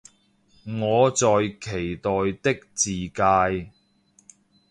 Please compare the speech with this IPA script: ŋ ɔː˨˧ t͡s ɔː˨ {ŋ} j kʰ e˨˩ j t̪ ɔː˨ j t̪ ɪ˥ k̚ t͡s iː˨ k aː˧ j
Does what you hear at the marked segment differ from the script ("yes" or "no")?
yes